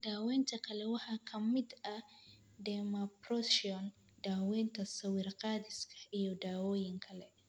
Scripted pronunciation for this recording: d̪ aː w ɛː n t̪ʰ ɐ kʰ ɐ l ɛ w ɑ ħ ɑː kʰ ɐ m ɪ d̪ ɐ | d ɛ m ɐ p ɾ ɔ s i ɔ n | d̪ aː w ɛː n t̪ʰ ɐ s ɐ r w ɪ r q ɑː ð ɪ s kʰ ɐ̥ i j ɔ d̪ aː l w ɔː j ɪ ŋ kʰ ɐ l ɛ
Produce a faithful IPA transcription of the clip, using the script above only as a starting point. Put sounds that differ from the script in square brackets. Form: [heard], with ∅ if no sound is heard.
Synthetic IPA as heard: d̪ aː w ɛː n t̪ʰ ɐ kʰ ɐ l ɛ w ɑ ħ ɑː kʰ ɐ m ɪ d̪ ɐ | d ɛ m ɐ p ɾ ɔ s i ɔ n | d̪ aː w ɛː n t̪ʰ ɐ s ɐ [∅] w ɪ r q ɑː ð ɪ s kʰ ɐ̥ i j ɔ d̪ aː [∅] w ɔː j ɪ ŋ kʰ ɐ l ɛ